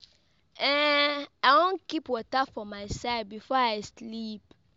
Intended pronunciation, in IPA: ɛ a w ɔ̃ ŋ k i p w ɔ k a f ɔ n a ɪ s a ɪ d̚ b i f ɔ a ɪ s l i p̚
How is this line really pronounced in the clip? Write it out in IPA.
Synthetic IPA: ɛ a w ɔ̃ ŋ k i p w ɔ t a f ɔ m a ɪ s a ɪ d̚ b i f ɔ a ɪ s l i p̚